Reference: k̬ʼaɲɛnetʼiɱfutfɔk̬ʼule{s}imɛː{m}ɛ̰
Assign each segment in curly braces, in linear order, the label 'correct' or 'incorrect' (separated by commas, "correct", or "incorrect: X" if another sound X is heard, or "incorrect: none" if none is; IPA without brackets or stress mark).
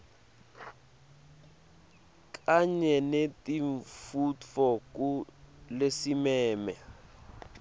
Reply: correct, correct